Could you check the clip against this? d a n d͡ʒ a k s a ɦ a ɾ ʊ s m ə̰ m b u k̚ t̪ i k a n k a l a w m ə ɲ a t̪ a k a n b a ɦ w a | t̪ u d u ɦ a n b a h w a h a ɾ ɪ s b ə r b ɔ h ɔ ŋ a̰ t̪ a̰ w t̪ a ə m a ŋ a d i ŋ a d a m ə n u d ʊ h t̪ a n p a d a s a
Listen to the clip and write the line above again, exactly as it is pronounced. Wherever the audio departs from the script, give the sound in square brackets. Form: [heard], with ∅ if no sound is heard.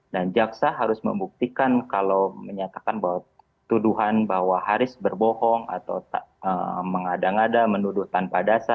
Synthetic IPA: d a n d͡ʒ a k s a ɦ a ɾ ʊ s m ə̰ m b u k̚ t̪ i k a n k a l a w m ə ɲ a t̪ a k a n b a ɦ w a | t̪ u d u ɦ a n b a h w a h a ɾ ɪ s b ə r b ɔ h ɔ ŋ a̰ t̪ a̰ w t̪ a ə m [ə] ŋ a d [a] ŋ a d a m ə n u d ʊ h t̪ a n p a d a s a